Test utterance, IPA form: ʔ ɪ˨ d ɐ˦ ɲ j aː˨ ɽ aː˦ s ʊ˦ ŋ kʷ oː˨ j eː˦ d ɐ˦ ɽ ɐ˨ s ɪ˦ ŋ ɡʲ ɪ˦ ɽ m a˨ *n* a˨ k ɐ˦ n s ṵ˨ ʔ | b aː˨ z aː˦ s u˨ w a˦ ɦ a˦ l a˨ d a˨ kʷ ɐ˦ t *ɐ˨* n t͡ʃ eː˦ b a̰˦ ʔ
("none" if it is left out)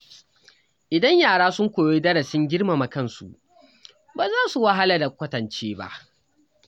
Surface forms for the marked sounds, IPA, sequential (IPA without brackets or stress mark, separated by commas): m, ɐ˨